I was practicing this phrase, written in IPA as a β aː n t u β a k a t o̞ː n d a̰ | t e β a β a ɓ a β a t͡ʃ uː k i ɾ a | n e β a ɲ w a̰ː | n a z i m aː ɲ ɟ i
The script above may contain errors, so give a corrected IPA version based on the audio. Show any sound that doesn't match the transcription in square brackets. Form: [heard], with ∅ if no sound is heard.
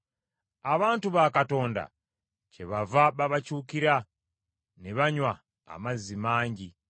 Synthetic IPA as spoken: a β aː n t u β a k a t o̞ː n d a̰ | [t͡ʃ] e β a [v] a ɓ a β a t͡ʃ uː k i ɾ a | n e β a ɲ w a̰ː | [m] a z i m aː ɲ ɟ i